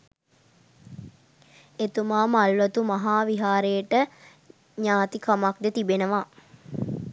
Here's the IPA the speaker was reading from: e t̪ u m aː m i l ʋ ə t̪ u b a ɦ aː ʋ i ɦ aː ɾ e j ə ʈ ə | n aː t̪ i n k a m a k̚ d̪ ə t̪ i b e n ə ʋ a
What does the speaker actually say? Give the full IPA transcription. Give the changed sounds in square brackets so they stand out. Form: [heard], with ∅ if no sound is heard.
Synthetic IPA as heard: e t̪ u m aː m [a] l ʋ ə t̪ u [m] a ɦ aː ʋ i ɦ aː ɾ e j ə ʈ ə | [ɲ] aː t̪ i [∅] k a m a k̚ d̪ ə t̪ i b e n ə ʋ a

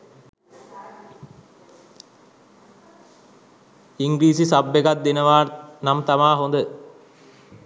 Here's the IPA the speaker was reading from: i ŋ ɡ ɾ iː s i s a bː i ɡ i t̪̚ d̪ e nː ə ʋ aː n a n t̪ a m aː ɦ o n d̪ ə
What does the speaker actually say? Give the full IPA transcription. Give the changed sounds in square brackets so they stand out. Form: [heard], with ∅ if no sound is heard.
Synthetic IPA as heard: i ŋ ɡ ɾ iː s i s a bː [e] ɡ [a] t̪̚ d̪ e [n] ə ʋ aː n a [m] t̪ a m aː ɦ o n d̪ ə

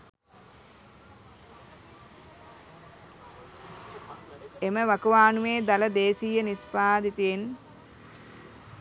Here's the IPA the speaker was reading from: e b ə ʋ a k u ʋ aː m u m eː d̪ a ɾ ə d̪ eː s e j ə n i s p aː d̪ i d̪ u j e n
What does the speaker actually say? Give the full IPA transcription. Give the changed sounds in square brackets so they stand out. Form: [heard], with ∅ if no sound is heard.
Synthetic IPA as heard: e [m] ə ʋ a k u ʋ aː [n] u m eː d̪ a [l] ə d̪ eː s [i] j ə n i s p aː d̪ i [t̪] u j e n

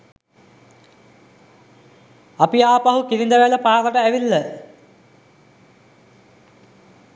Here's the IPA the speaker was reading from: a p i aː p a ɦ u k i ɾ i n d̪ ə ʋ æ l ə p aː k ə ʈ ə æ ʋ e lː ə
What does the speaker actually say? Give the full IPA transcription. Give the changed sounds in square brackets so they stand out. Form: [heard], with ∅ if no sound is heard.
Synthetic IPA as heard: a p i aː p a ɦ u k i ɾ i n d̪ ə ʋ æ l ə p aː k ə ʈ ə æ ʋ [i] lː ə

